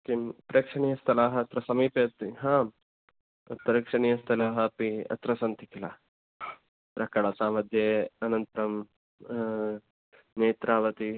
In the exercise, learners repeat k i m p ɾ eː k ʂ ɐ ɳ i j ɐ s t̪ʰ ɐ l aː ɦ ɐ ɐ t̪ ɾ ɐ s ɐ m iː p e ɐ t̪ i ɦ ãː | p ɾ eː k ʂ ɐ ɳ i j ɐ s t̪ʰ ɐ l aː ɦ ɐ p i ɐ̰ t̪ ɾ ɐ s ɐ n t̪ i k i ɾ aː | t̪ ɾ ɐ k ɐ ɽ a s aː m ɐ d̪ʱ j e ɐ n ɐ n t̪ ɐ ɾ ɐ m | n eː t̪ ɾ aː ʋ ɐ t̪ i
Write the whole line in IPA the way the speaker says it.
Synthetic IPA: k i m p ɾ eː k ʂ ɐ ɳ i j ɐ s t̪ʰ ɐ l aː ɦ ɐ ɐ t̪ ɾ ɐ s ɐ m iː p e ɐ t̪ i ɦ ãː | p ɾ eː k ʂ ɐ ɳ i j ɐ s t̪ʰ ɐ l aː ɦ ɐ p i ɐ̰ t̪ ɾ ɐ s ɐ n t̪ i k i l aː | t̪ ɾ ɐ k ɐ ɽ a s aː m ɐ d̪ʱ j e ɐ n ɐ n t̪ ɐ ɾ ɐ m | n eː t̪ ɾ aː ʋ ɐ t̪ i